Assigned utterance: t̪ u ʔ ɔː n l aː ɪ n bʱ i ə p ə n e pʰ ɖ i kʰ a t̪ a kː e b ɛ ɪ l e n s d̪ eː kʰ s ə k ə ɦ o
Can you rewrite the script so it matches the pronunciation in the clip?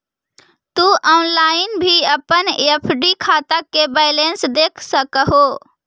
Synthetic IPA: t̪ u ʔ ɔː n l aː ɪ n bʱ i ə p ə n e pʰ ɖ i kʰ a t̪ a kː e b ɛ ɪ l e n s d̪ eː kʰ s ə k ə ɦ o